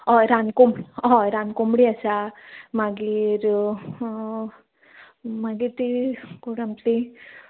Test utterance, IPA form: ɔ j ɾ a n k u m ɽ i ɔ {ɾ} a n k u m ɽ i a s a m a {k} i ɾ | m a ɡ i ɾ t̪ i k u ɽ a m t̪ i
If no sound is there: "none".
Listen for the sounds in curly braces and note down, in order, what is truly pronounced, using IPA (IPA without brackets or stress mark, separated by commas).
ɾ, ɡ